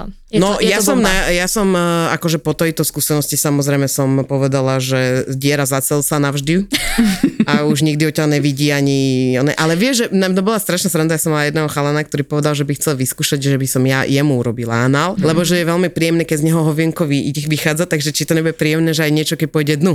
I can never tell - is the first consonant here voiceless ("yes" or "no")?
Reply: no